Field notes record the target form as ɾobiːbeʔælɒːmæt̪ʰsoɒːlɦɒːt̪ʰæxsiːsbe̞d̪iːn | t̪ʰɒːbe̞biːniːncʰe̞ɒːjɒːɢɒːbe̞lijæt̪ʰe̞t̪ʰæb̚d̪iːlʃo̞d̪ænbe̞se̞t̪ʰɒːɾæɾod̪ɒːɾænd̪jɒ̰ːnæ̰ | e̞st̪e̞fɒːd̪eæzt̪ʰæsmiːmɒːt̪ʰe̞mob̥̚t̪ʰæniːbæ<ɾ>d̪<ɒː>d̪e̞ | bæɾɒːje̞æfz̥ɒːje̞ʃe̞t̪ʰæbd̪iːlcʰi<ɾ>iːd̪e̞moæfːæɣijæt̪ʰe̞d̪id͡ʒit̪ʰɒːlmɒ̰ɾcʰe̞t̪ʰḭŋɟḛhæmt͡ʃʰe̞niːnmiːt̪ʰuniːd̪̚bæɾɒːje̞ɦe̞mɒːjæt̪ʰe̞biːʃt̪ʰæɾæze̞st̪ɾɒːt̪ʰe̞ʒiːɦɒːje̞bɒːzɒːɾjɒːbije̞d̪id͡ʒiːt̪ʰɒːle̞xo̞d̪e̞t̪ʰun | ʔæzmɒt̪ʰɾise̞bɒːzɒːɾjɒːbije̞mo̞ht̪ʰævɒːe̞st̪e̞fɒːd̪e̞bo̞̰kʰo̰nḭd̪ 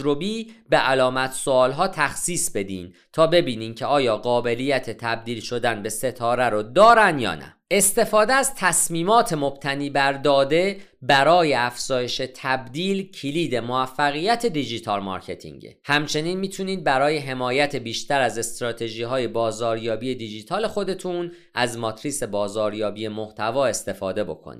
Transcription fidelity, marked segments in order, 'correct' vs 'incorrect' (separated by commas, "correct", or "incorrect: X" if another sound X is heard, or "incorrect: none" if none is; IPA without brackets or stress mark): correct, correct, incorrect: l